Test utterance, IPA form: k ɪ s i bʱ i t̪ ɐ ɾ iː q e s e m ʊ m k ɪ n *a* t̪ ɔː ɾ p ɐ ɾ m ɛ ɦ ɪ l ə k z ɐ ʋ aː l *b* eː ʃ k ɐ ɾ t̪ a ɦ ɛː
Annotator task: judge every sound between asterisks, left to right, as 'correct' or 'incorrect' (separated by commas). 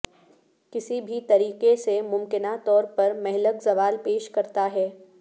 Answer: correct, incorrect